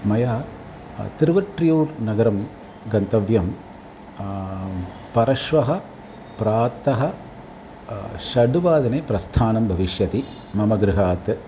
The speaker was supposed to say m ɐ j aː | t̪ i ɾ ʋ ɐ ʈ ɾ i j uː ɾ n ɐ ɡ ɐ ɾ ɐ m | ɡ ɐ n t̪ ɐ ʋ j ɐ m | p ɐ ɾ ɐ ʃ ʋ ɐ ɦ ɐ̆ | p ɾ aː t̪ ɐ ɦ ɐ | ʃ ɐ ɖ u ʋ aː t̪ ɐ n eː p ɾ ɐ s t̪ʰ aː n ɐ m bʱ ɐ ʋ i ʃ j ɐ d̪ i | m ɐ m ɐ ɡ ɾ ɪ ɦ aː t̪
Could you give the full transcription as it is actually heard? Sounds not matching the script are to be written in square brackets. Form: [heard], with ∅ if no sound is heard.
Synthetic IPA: m ɐ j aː | t̪ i ɾ ʋ ɐ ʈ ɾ i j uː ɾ n ɐ ɡ ɐ ɾ ɐ m | ɡ ɐ n t̪ ɐ ʋ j ɐ m | p ɐ ɾ ɐ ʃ ʋ ɐ ɦ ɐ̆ | p ɾ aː t̪ ɐ ɦ ɐ | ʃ ɐ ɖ u ʋ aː [d̪] ɐ n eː p ɾ ɐ s t̪ʰ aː n ɐ m bʱ ɐ ʋ i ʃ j ɐ [t̪] i | m ɐ m ɐ ɡ ɾ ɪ ɦ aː t̪